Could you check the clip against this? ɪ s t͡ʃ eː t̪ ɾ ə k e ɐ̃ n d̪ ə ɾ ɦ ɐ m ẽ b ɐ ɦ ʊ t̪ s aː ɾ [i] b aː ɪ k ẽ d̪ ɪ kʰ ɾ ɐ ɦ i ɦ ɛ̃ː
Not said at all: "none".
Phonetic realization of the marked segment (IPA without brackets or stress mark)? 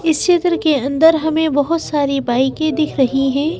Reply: i